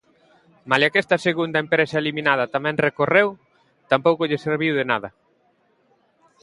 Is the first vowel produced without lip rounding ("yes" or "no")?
yes